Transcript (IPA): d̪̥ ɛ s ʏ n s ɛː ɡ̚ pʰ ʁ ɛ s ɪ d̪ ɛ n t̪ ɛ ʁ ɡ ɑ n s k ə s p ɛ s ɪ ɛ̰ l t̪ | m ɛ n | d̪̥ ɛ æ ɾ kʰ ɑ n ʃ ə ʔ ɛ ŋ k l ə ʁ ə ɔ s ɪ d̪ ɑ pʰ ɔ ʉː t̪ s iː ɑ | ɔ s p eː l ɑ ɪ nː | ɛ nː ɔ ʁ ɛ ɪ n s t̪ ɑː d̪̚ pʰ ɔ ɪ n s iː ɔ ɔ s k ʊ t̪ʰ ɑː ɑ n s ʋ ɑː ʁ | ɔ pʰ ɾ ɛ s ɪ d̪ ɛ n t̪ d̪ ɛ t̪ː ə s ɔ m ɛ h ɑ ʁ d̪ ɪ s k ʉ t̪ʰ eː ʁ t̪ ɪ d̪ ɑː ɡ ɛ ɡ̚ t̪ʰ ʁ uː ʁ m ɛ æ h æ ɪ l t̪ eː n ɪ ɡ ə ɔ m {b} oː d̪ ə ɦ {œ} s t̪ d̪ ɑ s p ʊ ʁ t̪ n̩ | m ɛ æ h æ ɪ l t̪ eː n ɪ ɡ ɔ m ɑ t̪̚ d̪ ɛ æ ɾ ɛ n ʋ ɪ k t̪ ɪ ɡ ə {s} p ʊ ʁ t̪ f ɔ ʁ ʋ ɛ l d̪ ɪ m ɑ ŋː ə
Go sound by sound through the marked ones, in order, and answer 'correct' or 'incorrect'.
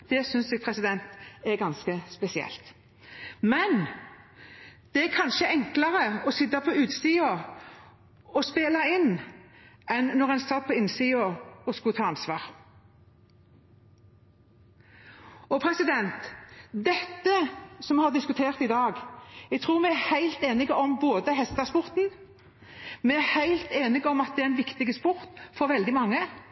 correct, incorrect, correct

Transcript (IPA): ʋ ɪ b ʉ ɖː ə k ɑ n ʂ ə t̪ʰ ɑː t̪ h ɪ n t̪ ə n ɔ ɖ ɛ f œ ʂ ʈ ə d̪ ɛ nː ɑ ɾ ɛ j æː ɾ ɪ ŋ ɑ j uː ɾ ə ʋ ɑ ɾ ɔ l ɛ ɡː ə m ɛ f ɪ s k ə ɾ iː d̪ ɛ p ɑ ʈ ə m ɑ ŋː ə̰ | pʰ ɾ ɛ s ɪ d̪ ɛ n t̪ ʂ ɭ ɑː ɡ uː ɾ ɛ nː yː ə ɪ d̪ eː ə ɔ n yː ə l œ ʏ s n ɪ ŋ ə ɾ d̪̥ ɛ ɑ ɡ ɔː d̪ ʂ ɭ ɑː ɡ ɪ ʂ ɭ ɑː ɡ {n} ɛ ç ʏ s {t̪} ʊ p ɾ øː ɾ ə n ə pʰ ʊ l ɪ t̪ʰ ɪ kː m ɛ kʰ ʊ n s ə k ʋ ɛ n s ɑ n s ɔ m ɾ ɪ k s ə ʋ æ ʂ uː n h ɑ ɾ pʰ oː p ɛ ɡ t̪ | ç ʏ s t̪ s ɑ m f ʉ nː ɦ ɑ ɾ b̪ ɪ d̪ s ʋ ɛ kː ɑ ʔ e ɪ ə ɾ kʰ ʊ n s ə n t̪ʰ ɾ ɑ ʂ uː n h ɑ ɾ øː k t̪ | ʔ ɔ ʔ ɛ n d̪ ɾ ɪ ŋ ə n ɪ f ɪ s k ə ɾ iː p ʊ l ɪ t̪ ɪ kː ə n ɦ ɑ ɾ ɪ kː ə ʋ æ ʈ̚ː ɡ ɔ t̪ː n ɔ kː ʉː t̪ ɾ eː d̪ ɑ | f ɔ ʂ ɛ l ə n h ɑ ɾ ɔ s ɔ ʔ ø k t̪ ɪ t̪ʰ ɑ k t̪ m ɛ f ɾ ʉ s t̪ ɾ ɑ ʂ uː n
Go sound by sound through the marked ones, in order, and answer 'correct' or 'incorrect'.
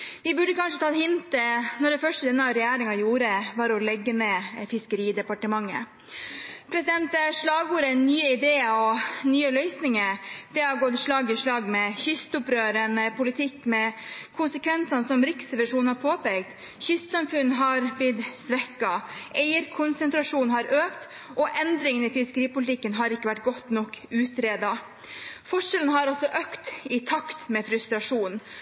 incorrect, correct

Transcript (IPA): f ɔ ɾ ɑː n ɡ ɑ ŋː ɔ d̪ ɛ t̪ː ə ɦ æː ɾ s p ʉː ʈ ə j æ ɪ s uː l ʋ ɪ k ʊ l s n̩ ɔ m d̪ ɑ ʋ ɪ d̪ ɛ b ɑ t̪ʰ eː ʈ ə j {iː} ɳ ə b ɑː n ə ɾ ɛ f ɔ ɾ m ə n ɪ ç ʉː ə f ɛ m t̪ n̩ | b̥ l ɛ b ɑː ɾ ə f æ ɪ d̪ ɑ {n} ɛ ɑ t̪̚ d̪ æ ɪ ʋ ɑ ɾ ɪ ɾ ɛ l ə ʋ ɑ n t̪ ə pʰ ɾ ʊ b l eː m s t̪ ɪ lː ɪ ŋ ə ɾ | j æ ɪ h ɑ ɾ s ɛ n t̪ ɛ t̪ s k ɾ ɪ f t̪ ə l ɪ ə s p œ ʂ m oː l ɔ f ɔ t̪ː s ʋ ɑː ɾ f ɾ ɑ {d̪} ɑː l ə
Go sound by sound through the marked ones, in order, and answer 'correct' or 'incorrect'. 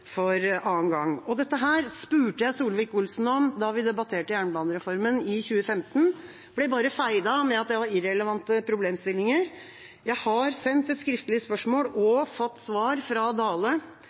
incorrect, incorrect, correct

